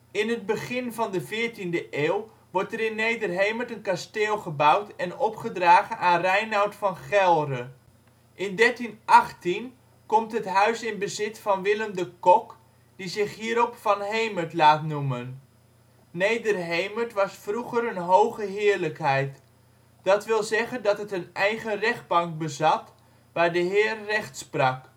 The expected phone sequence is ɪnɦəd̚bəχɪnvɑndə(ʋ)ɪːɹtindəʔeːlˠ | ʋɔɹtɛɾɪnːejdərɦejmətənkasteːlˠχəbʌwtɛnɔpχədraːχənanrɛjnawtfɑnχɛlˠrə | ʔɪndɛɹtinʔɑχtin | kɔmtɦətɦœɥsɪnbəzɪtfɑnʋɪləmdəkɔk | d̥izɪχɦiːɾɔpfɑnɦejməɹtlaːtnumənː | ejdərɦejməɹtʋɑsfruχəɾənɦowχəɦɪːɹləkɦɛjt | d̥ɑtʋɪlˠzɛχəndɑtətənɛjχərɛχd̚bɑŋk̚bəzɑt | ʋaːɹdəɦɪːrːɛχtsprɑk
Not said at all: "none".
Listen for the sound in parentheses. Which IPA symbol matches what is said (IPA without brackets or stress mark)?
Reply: v